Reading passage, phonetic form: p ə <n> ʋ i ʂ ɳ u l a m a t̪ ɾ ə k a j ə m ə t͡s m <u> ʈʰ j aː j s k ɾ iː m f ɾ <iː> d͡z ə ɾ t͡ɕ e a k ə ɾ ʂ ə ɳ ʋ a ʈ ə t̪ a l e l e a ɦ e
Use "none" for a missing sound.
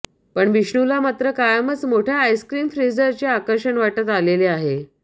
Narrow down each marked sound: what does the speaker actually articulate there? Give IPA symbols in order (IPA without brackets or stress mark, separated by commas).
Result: ɳ, o, i